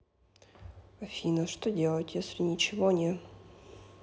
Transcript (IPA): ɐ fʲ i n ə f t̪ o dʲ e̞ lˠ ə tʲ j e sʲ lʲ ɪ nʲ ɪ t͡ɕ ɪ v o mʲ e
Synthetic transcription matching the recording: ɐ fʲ i n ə ʂ t̪ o dʲ e̞ lˠ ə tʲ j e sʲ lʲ ɪ nʲ ɪ t͡ɕ ɪ v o nʲ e

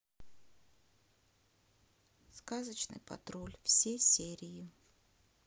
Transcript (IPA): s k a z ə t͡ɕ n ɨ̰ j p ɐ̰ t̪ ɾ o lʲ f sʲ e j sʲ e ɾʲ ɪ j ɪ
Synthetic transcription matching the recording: s k a z ə t͡ɕ n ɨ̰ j p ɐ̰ t̪ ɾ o lʲ f sʲ e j sʲ e ɾʲ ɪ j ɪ

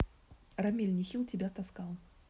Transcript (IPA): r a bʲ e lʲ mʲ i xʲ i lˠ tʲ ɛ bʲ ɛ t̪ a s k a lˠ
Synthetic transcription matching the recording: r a mʲ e lʲ nʲ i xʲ i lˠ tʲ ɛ bʲ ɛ t̪ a s k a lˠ

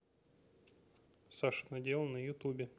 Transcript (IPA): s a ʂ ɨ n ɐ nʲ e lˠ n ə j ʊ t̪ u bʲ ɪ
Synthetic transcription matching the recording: s a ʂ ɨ n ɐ dʲ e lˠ n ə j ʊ t̪ u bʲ ɪ

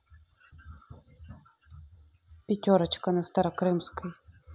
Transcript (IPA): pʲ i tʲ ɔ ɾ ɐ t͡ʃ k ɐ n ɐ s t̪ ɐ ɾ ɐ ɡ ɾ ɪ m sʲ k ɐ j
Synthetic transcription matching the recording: pʲ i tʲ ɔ ɾ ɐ t͡ʃ k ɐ n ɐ s t̪ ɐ ɾ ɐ k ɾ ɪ m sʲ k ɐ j

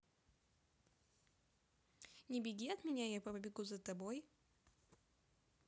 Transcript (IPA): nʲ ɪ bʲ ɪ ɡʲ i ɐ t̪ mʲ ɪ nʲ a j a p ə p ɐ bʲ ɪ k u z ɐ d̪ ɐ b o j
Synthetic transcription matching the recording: nʲ ɪ bʲ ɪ ɡʲ i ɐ t̪ mʲ ɪ nʲ a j a p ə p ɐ bʲ ɪ ɡ u z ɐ t̪ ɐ b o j

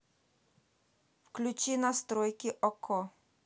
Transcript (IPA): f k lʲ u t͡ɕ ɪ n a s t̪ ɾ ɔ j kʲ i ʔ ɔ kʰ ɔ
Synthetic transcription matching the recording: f k lʲ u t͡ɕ i n a s t̪ ɾ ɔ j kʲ i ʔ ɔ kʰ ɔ

